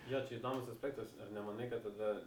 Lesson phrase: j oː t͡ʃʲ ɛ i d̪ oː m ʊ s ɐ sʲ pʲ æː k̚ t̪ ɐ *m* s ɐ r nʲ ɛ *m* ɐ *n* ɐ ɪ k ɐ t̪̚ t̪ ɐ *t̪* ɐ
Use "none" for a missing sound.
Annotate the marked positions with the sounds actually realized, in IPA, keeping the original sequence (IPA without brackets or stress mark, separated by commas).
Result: none, m, n, d̪